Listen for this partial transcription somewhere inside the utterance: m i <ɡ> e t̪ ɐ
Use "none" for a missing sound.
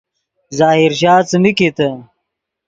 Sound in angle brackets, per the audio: k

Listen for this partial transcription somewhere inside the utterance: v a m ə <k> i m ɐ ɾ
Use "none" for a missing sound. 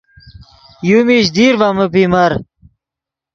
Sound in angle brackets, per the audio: p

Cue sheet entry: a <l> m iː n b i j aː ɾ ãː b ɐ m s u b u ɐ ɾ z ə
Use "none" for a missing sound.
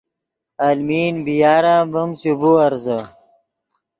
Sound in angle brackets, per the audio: l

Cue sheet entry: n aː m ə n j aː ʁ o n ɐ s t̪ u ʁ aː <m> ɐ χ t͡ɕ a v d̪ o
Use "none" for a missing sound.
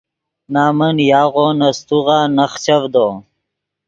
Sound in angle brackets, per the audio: n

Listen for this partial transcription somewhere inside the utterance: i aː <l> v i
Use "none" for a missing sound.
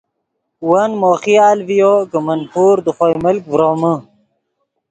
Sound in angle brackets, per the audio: l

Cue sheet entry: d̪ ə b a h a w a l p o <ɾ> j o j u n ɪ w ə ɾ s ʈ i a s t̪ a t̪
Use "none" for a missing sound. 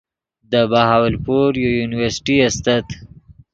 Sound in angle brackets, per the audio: ɾ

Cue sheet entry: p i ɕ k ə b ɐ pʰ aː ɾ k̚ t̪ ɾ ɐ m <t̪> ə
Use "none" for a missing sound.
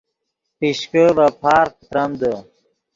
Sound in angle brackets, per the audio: d̪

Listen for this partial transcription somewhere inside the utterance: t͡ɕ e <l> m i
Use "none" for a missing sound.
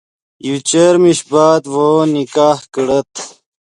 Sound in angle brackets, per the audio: ɾ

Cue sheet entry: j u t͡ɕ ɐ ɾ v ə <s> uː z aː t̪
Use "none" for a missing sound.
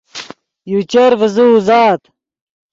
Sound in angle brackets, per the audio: z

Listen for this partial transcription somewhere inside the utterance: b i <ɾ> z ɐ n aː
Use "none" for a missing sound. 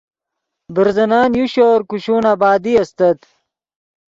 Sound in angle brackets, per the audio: ɾ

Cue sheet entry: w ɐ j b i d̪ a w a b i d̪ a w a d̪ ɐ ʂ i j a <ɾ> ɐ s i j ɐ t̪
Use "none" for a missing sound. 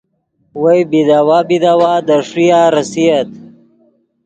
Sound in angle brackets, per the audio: ɾ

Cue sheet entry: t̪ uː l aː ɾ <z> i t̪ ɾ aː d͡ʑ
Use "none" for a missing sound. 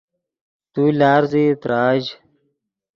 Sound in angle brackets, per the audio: z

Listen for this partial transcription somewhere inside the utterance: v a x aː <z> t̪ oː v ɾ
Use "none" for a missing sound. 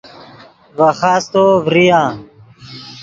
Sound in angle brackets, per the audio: s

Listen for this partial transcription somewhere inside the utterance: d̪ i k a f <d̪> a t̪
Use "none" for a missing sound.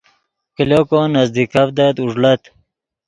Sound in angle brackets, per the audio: d̪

